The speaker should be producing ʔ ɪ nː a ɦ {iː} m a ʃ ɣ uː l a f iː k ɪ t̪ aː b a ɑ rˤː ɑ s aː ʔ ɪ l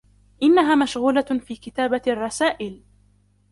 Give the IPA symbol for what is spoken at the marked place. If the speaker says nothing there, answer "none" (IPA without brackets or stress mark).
aː